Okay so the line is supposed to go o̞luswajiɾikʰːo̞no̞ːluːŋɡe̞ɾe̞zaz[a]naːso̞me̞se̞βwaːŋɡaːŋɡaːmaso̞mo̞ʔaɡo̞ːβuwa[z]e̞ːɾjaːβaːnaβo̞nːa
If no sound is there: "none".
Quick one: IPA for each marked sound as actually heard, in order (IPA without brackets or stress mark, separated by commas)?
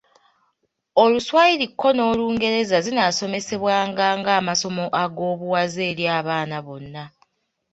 i, z